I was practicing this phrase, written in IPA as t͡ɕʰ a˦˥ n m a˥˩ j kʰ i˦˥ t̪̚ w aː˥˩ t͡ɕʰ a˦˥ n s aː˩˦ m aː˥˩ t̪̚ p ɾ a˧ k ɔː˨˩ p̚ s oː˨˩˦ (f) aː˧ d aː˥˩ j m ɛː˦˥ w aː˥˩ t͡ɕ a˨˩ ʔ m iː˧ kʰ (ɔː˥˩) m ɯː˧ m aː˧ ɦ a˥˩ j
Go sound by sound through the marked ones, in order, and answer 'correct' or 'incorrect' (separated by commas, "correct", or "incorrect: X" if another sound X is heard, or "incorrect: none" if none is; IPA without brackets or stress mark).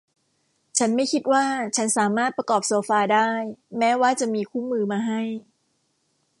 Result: correct, incorrect: uː˥˩